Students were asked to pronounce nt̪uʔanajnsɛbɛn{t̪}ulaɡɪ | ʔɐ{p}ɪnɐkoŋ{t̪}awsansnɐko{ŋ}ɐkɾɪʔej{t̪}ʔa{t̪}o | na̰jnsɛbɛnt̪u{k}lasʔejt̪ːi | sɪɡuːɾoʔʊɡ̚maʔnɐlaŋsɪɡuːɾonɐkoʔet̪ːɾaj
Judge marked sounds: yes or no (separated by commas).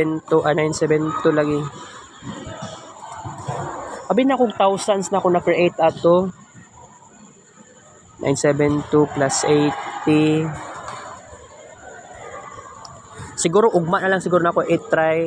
yes, no, yes, no, yes, yes, no